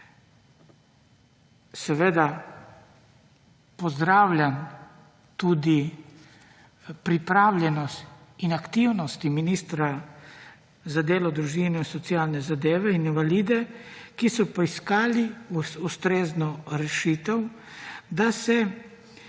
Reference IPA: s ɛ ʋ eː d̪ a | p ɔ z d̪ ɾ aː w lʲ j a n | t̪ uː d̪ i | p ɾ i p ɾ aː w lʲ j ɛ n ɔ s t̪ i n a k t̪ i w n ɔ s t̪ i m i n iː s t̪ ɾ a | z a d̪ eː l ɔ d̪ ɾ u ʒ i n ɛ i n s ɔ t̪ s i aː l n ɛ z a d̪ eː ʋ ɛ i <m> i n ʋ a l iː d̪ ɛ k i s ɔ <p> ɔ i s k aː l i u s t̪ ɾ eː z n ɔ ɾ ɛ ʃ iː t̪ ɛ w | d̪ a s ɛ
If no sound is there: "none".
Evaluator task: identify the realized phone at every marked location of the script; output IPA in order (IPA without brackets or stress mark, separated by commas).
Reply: n, p